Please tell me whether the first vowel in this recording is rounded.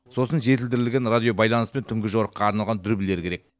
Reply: yes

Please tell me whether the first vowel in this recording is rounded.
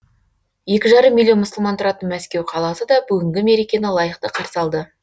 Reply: no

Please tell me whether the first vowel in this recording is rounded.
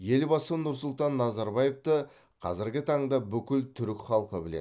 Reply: no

